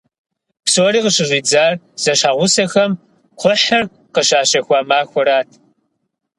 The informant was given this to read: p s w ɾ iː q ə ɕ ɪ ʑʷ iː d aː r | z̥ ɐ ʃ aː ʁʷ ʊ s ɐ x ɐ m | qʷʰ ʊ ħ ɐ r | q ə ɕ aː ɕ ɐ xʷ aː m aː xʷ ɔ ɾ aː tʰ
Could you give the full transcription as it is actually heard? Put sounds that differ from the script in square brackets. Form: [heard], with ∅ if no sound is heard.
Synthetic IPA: p s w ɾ iː q ə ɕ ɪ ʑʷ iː [d͡z] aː r | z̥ ɐ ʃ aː ʁʷ ʊ s ɐ x ɐ m | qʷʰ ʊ ħ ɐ r | q ə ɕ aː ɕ ɐ xʷ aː m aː xʷ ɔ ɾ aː tʰ